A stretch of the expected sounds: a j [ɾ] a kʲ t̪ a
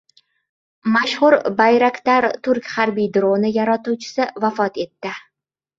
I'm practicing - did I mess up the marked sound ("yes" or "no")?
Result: no